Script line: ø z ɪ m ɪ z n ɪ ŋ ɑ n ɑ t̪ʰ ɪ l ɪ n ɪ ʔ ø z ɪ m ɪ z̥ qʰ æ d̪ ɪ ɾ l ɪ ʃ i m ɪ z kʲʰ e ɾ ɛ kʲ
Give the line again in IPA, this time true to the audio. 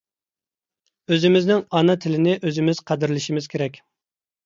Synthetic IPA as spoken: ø z ɪ m ɪ z n ɪ ŋ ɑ n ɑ t̪ʰ ɪ l ɪ n ɪ ʔ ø z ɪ m ɪ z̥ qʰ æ d̪ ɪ ɾ l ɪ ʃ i m ɪ z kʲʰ e ɾ ɛ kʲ

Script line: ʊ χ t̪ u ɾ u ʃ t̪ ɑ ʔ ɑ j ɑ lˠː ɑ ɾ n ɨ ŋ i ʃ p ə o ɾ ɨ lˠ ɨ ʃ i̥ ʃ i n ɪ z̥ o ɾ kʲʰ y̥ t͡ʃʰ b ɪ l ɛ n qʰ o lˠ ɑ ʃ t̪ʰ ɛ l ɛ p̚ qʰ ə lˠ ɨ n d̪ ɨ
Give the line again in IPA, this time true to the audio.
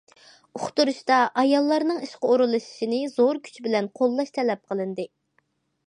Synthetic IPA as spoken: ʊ χ t̪ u ɾ u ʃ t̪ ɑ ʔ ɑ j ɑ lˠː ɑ ɾ n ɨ ŋ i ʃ q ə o ɾ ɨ lˠ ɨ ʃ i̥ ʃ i n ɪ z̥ o ɾ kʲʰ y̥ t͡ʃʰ b ɪ l ɛ n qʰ o lˠː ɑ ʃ t̪ʰ ɛ l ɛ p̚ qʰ ə lˠ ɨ n d̪ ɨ

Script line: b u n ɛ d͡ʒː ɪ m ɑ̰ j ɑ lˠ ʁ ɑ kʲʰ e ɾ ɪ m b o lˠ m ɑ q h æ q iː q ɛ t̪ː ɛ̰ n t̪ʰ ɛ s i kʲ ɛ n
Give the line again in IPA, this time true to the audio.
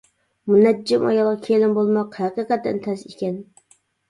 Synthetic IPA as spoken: m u n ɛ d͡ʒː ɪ m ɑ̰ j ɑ lˠ ʁ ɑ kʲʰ e l ɪ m b o lˠ m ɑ q h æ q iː q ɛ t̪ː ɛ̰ n t̪ʰ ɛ s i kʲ ɛ n

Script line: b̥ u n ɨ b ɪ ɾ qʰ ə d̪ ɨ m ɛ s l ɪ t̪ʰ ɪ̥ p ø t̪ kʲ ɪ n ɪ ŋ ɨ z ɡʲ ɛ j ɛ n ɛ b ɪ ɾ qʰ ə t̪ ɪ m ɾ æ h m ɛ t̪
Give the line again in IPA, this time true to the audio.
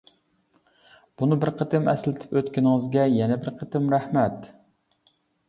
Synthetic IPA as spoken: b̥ u n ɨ b ɪ ɾ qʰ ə t̪ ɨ m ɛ s l ɪ t̪ʰ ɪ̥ p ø t̪ kʲ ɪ n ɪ ŋ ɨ z ɡʲ ɛ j ɛ n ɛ b ɪ ɾ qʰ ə t̪ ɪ m ɾ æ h m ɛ t̪

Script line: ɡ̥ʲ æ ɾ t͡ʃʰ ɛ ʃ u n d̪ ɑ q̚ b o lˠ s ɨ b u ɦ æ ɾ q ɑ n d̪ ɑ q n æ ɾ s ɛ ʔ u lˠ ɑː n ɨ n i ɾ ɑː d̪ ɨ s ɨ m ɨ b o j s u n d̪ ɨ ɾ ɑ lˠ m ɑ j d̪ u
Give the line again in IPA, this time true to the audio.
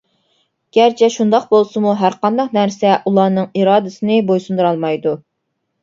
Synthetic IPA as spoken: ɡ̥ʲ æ ɾ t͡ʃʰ ɛ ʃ u n d̪ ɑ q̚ b o lˠ s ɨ m u ɦ æ ɾ q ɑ n d̪ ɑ q n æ ɾ s ɛ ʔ u lˠ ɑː n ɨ ŋ i ɾ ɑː d̪ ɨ s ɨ n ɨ b o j s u n d̪ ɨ ɾ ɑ lˠ m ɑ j d̪ u

